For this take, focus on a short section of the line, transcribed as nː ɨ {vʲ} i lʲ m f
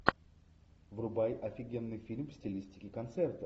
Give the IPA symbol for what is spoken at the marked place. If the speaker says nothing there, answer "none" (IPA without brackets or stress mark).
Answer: fʲ